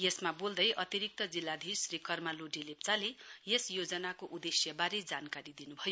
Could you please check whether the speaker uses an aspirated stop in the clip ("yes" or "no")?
no